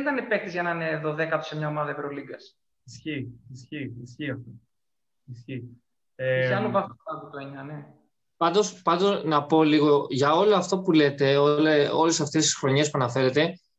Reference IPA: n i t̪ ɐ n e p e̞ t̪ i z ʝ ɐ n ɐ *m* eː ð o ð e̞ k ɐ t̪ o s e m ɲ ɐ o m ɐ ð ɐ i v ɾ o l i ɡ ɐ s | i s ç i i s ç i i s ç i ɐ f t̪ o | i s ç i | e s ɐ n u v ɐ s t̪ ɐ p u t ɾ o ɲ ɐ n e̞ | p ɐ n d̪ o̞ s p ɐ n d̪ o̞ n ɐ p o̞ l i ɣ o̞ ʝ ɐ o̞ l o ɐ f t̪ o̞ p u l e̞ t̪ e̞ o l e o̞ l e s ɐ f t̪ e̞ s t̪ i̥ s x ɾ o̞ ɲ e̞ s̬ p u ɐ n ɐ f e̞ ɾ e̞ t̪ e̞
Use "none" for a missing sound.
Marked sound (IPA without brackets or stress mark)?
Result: n